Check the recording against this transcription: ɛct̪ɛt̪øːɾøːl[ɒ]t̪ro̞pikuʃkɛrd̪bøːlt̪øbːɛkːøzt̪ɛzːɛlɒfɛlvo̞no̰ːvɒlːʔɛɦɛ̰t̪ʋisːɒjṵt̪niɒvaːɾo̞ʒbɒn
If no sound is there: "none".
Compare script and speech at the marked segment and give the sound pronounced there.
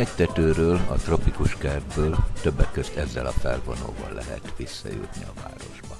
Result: ɒ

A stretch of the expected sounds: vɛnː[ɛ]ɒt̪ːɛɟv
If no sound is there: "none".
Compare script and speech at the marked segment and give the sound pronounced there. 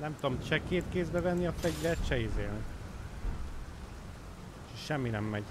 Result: i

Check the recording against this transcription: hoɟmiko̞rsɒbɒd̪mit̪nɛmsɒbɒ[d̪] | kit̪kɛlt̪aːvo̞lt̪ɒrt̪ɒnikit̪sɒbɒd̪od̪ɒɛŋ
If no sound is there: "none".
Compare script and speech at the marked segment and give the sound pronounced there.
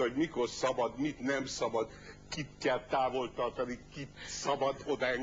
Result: d̪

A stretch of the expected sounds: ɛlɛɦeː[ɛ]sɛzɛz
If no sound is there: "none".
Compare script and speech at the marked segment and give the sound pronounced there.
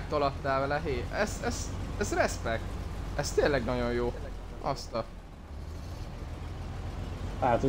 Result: ɛ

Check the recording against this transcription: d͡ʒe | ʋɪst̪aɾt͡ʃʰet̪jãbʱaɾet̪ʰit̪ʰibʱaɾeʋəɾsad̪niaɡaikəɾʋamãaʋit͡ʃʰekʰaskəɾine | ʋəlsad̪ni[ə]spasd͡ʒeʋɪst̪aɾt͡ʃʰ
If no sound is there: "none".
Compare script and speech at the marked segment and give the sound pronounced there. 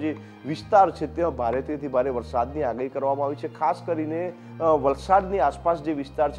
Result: a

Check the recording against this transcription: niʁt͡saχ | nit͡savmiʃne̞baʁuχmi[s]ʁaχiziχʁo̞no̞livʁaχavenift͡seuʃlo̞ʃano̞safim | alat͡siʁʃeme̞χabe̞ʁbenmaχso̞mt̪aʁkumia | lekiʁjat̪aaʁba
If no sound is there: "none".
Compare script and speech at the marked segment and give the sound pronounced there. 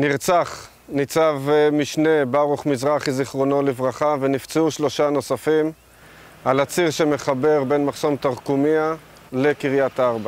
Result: z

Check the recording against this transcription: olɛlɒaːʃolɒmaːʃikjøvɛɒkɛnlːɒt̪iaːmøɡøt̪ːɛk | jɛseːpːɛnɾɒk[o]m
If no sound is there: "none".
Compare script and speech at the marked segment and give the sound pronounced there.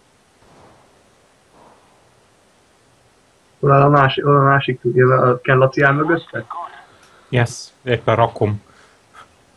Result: o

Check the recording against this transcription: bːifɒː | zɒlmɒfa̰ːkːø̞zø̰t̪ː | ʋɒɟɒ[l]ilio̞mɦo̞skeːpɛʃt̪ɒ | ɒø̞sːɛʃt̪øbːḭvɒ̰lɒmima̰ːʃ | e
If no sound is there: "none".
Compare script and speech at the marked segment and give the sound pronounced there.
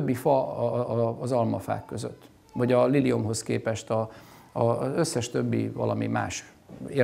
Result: l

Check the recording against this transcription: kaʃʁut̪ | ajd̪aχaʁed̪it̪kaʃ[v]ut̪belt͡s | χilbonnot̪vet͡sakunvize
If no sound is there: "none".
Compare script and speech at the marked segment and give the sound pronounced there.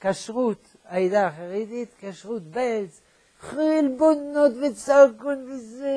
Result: ʁ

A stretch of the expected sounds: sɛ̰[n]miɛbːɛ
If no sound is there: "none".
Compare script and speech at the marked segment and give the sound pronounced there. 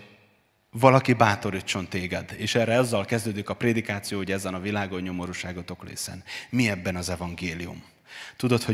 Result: n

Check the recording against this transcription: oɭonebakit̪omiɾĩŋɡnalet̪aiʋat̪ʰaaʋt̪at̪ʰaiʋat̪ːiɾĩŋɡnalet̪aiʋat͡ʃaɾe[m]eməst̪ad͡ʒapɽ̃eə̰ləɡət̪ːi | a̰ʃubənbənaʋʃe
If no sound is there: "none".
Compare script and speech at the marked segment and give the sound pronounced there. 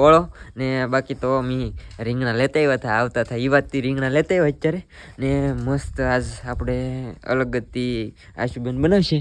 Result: n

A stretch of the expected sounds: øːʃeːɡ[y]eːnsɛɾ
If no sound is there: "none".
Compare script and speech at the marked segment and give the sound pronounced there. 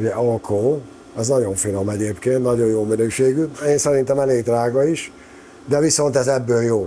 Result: y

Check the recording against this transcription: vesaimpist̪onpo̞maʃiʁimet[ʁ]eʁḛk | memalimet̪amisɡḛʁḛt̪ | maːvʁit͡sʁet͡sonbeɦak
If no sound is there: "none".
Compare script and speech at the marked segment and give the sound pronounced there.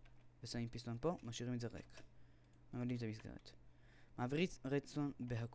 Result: z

